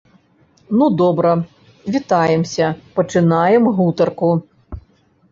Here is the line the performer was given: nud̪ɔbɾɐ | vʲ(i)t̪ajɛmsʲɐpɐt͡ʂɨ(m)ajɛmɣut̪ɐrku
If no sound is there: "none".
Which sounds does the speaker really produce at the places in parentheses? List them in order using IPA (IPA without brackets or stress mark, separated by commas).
i, n